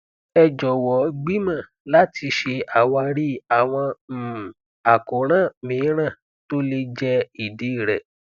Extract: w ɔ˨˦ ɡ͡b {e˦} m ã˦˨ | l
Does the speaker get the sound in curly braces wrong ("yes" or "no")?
yes